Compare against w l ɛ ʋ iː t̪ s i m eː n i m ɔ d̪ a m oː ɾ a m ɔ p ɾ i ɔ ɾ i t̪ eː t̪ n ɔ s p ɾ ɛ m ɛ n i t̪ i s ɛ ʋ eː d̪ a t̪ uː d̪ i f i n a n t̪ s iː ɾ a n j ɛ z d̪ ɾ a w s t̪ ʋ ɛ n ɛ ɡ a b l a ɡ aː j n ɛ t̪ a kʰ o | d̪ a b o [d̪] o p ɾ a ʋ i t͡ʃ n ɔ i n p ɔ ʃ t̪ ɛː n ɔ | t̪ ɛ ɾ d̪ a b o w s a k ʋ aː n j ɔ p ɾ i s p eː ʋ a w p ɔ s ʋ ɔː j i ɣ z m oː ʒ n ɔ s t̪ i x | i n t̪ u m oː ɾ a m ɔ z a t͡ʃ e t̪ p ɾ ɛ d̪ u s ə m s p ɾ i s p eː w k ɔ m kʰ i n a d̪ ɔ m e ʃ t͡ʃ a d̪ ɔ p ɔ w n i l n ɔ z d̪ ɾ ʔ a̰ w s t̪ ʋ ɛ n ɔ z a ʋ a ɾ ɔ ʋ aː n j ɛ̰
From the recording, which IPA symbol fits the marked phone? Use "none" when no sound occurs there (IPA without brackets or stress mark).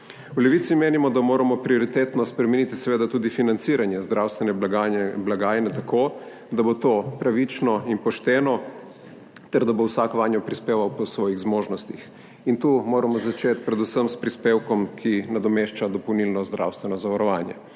t̪